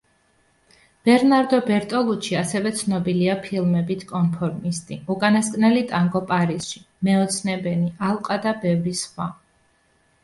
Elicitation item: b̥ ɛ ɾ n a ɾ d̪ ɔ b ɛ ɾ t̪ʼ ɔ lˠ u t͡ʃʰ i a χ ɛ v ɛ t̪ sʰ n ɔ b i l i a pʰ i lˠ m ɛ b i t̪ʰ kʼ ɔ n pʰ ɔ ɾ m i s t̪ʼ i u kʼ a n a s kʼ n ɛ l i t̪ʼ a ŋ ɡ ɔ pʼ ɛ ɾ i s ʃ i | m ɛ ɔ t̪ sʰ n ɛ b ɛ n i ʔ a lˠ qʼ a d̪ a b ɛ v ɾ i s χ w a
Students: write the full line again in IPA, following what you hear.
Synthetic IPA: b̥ ɛ ɾ n a ɾ d̪ ɔ b ɛ ɾ t̪ʼ ɔ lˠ u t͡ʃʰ i a s ɛ v ɛ t̪ sʰ n ɔ b i l i a pʰ i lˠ m ɛ b i t̪ʰ kʼ ɔ n pʰ ɔ ɾ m i s t̪ʼ i u kʼ a n a s kʼ n ɛ l i t̪ʼ a ŋ ɡ ɔ pʼ a ɾ i s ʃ i | m ɛ ɔ t̪ sʰ n ɛ b ɛ n i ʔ a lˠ qʼ a d̪ a b ɛ v ɾ i s χ w a